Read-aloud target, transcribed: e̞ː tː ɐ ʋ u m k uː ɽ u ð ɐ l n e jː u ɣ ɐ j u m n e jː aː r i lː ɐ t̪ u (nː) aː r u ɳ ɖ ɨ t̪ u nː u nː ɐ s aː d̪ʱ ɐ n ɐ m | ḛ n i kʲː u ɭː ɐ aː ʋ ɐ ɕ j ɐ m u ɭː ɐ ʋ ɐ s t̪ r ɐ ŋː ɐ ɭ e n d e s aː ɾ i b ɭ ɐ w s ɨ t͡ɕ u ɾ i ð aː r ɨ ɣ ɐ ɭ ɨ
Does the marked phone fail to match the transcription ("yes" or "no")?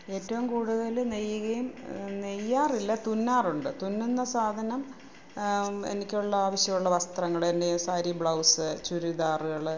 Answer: no